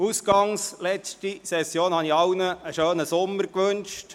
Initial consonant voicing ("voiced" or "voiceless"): voiceless